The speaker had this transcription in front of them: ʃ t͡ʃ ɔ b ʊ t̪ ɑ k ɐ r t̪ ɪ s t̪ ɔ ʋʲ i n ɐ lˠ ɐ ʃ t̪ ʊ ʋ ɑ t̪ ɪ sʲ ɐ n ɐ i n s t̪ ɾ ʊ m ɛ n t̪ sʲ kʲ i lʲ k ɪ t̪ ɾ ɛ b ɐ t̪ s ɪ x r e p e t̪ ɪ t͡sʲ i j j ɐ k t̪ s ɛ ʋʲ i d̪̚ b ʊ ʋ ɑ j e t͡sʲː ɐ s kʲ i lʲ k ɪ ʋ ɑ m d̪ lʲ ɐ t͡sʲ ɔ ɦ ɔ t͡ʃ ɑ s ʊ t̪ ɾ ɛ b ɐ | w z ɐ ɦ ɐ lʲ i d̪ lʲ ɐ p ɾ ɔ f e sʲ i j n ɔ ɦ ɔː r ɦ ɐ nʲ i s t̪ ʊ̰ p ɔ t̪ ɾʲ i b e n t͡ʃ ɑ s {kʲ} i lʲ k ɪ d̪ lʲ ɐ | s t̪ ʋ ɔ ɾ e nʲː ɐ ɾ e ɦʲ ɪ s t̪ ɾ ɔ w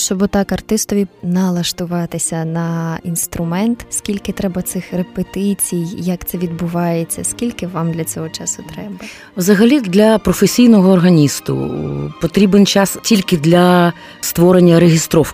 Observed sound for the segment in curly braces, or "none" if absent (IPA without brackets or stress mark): tʲ